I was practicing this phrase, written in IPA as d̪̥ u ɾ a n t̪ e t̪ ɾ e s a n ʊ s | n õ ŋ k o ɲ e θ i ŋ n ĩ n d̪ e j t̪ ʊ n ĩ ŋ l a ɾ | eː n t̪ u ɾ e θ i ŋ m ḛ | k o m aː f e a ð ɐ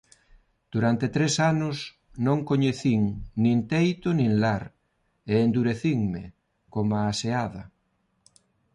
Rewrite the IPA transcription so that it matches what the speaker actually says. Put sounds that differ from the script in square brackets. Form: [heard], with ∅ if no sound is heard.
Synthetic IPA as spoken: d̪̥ u ɾ a n t̪ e t̪ ɾ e s a n ʊ s | n õ ŋ k o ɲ e θ i ŋ n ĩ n [t̪] e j t̪ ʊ n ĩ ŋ l a ɾ | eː n [d̪] u ɾ e θ i ŋ m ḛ | k o m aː [s] e a ð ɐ